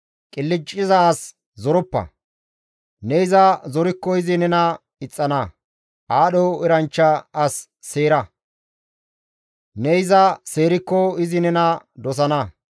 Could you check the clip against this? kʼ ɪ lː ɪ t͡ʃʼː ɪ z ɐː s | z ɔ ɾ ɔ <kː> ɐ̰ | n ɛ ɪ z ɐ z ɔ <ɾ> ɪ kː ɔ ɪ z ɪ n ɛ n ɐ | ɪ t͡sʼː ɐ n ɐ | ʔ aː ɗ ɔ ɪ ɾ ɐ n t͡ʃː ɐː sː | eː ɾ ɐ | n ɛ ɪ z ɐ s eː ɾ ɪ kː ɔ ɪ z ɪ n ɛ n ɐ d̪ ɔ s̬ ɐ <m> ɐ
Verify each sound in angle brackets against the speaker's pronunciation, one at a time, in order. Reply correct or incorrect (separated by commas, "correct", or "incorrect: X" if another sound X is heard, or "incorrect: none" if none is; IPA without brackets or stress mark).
incorrect: pː, correct, incorrect: n